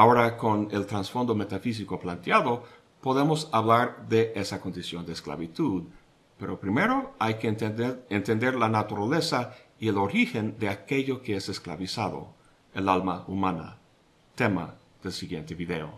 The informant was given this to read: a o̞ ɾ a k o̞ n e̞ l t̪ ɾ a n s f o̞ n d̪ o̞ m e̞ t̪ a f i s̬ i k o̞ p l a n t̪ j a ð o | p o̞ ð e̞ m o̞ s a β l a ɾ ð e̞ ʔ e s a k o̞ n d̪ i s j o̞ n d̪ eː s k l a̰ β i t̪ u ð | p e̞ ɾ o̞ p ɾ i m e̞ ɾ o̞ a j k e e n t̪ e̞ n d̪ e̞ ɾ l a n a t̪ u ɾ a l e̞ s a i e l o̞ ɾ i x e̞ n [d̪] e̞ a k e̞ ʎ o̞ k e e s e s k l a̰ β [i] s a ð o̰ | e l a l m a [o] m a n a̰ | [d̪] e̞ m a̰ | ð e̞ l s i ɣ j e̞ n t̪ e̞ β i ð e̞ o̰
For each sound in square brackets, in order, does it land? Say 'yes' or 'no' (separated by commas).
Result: yes, yes, no, no